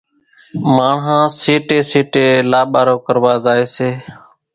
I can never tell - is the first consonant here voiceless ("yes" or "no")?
no